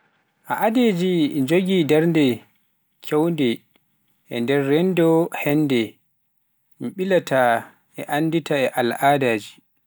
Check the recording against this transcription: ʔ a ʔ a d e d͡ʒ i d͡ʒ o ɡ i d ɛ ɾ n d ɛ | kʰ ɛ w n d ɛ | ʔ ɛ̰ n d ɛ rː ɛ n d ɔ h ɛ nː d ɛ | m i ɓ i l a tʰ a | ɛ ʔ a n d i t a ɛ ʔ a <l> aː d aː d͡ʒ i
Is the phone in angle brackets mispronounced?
no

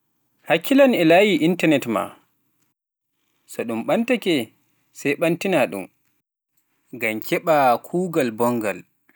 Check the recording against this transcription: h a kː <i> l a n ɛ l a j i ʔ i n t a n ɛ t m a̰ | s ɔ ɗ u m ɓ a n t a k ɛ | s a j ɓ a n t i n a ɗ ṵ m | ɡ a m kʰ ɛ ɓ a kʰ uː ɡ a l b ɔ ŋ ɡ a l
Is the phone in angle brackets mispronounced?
no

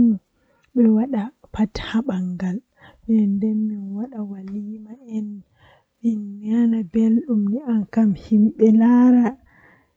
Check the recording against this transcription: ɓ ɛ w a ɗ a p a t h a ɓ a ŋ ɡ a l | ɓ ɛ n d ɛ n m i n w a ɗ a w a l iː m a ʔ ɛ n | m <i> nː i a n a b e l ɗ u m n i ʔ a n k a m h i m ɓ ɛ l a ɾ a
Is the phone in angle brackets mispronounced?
no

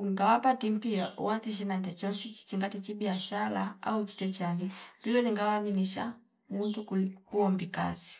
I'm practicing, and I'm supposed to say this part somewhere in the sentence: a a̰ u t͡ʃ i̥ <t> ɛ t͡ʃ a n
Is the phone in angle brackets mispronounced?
no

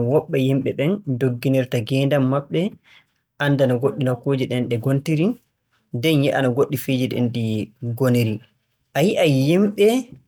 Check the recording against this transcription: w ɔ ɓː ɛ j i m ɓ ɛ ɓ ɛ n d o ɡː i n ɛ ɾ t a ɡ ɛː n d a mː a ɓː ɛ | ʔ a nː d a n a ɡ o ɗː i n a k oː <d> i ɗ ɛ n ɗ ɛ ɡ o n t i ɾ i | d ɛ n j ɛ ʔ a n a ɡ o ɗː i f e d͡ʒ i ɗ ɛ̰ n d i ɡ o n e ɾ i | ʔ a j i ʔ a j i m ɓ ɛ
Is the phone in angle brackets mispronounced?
yes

